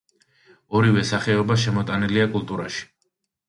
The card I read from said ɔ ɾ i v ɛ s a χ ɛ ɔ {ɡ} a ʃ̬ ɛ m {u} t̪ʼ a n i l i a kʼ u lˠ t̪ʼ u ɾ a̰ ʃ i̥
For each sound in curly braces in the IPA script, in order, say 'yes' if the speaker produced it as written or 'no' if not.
no, no

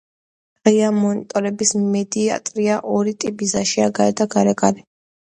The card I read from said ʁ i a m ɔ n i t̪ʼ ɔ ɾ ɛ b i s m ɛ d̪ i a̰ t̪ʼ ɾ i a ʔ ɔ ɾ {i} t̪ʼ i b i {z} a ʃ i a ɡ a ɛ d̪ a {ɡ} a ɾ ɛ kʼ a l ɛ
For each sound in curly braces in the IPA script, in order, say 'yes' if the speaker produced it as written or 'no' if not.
yes, yes, yes

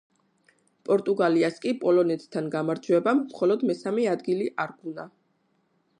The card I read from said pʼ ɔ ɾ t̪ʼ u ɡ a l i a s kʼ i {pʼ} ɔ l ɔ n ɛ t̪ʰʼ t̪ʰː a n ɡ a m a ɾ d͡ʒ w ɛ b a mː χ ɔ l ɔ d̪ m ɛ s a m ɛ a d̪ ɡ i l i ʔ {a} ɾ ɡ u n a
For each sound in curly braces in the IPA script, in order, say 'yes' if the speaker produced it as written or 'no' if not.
yes, yes

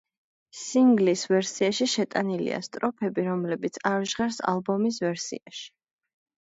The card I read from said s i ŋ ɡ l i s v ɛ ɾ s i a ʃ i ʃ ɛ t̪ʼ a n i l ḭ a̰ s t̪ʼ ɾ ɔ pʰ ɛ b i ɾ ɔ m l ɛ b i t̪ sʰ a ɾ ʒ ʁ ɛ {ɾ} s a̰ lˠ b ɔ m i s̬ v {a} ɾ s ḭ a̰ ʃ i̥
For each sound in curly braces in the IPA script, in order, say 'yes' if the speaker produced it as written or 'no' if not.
yes, no

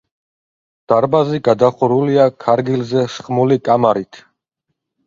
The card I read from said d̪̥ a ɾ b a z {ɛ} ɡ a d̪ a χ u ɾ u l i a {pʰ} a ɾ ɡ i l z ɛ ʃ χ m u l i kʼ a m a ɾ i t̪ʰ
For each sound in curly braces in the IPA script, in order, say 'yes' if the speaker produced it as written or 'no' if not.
no, no

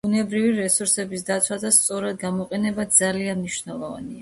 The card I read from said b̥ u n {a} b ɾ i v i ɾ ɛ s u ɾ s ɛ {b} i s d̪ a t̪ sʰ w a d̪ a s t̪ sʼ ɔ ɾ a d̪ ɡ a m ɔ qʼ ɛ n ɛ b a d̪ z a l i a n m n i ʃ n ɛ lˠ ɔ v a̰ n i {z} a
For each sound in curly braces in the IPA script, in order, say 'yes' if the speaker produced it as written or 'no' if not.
no, yes, no

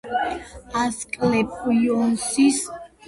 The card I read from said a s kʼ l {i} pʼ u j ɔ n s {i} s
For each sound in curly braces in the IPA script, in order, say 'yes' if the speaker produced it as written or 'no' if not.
no, yes

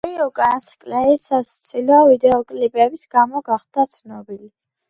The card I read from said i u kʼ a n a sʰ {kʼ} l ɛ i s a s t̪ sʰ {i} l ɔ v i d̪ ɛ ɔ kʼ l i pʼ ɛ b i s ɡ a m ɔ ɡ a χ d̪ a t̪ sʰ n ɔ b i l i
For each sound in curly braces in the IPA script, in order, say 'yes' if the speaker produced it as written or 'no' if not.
yes, yes

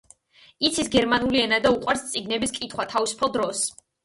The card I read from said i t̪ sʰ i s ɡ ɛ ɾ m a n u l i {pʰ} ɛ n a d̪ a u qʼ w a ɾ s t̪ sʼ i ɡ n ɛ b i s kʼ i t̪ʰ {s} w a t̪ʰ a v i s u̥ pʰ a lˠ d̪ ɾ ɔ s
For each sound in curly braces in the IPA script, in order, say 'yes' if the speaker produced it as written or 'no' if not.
no, no

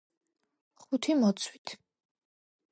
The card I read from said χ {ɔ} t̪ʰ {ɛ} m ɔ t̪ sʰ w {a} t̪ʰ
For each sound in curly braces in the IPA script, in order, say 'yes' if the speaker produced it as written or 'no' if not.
no, no, no

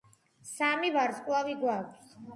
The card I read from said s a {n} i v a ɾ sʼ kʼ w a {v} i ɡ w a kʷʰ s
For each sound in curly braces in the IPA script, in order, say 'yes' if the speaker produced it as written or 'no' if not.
no, yes

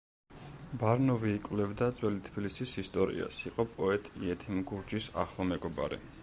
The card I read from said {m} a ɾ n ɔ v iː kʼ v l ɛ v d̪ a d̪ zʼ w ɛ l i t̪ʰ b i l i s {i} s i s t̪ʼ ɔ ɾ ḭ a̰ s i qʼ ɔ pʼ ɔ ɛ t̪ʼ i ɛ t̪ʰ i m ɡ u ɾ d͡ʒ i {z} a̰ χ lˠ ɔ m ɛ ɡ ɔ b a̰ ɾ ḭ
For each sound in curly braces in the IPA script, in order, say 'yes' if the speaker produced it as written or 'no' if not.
no, yes, no

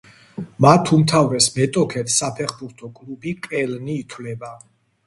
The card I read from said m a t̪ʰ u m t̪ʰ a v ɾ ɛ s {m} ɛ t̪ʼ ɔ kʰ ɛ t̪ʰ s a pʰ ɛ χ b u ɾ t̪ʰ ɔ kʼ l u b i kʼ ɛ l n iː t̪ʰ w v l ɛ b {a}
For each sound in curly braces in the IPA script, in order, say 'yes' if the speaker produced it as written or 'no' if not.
yes, yes

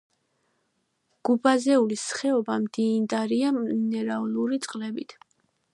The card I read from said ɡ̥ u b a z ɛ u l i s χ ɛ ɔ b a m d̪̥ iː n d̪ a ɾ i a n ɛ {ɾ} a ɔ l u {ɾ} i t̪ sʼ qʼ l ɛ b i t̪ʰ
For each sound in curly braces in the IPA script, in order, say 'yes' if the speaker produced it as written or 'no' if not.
yes, yes

